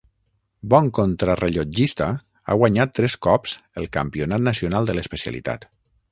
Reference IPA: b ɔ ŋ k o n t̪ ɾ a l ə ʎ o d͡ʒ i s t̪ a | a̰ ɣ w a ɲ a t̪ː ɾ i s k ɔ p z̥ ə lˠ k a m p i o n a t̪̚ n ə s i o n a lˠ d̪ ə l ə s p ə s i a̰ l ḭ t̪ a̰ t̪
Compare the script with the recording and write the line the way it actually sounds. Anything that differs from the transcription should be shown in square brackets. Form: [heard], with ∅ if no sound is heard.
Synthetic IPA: b ɔ ŋ k o n t̪ ɾ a [r] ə ʎ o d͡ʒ i s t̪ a | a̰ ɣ w a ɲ a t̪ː ɾ [ɛ] s k ɔ p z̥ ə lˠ k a m p i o n a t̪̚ n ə s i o n a lˠ d̪ ə l ə s p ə s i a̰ l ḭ t̪ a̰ t̪